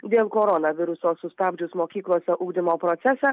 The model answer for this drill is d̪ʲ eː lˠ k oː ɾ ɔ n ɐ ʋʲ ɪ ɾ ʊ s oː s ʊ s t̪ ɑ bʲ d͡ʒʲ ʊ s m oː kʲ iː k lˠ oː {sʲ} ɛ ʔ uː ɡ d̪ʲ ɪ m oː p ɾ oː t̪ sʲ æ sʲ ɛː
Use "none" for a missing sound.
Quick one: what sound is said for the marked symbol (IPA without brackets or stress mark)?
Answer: sʲ